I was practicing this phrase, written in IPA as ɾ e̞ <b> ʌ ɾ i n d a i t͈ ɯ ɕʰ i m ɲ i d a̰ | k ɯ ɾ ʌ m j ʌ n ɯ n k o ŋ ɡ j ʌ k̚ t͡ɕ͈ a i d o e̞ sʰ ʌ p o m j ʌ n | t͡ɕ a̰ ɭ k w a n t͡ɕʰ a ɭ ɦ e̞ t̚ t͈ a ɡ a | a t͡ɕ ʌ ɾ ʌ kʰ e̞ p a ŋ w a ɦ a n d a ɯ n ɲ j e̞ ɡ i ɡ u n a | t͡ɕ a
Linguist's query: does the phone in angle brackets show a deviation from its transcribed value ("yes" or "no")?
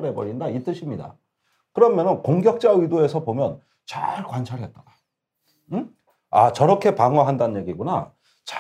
no